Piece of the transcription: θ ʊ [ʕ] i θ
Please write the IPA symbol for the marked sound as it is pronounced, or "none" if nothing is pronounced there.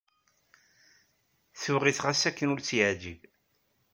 ʁ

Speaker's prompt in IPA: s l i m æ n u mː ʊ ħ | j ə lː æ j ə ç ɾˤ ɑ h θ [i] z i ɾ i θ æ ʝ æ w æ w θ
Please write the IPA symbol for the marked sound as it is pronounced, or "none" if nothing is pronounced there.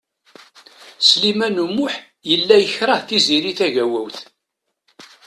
i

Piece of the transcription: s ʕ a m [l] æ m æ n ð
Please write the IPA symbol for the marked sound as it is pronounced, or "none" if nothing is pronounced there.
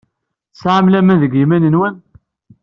l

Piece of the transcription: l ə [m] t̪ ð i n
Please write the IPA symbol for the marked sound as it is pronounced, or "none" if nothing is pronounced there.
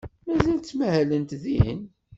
n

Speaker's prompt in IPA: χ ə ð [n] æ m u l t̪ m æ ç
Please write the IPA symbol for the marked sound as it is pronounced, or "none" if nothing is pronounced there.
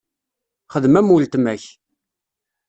m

